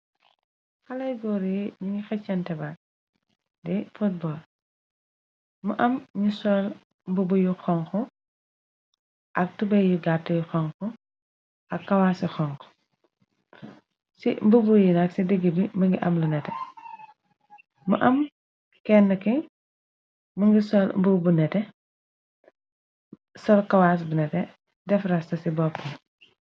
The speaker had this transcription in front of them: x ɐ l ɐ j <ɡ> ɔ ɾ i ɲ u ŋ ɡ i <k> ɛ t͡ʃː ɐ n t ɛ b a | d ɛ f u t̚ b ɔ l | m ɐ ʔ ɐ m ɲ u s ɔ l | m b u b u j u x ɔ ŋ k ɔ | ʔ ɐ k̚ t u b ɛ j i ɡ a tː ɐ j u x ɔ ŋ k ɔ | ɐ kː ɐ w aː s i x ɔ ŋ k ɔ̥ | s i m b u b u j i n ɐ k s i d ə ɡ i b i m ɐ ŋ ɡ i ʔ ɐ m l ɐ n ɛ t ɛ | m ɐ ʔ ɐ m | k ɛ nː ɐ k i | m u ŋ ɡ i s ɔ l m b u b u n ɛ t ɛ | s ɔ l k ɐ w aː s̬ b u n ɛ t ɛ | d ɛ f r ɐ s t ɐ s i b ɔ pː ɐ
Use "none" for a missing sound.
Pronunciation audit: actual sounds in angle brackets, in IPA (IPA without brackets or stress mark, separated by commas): ɡ, x